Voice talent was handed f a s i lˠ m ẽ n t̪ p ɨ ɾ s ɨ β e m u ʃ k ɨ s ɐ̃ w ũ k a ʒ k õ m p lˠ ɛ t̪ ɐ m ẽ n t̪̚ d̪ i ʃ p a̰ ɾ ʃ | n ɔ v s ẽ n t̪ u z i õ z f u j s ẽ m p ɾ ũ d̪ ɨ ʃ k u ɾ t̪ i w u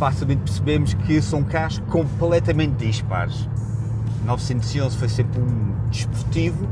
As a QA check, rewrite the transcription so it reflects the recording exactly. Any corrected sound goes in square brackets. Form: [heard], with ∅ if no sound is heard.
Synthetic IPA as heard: f a s i lˠ m ẽ n t̪ p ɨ ɾ s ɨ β e m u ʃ k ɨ s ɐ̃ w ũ k a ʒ k õ m p lˠ ɛ t̪ ɐ m ẽ n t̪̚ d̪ i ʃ p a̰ ɾ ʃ | n ɔ v s ẽ n t̪ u z i õ z f [o] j s ẽ m p ɾ ũ d̪ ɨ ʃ [p] u ɾ t̪ i [v] u

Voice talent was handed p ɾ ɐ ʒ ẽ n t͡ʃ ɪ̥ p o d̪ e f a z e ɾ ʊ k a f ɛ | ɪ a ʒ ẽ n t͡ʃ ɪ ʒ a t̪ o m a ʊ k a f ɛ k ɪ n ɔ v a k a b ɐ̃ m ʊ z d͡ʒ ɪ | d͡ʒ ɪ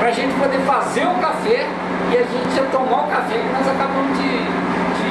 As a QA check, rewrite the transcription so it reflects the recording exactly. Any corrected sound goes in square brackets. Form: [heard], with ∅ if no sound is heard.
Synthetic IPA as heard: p ɾ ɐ ʒ ẽ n t͡ʃ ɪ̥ p o d̪ e f a z e ɾ ʊ k a f ɛ | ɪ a ʒ ẽ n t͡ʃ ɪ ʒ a t̪ o m a ʊ k a f ɛ k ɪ n ɔ [z] a k a b ɐ̃ m ʊ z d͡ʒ ɪ | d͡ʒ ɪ

